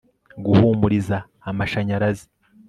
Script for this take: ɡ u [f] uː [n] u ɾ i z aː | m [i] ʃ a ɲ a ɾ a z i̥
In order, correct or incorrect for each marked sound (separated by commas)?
incorrect, incorrect, incorrect